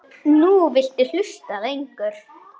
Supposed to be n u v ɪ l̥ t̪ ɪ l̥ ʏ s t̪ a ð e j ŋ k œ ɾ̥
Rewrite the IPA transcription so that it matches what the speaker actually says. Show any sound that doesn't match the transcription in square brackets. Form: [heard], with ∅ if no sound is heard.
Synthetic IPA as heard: n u v ɪ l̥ t̪ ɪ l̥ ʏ s t̪ a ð e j ŋ k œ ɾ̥